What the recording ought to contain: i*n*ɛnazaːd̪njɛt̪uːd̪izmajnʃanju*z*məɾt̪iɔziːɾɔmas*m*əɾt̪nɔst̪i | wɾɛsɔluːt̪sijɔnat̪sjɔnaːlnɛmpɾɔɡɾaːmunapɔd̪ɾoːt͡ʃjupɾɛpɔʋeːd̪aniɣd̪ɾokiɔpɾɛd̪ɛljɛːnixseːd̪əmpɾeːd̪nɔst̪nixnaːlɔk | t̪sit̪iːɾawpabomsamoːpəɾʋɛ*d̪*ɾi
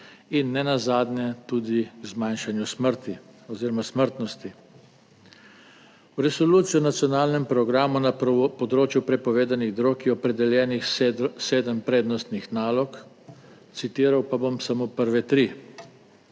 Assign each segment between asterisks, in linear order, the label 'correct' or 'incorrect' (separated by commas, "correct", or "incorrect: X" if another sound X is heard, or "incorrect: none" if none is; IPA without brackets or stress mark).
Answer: incorrect: nː, incorrect: s, correct, incorrect: t̪